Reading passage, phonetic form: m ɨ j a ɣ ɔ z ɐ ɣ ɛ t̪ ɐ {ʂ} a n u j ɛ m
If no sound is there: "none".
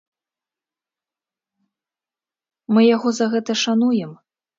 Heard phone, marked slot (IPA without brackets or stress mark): ʂ